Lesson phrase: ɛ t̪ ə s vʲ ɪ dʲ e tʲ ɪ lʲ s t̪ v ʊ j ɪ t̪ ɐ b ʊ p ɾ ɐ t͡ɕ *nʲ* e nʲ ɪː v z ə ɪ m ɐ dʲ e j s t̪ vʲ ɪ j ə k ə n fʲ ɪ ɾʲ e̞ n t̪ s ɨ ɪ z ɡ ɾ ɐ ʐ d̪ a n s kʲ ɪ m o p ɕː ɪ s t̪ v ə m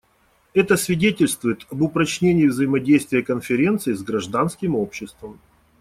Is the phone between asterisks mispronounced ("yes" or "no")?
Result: no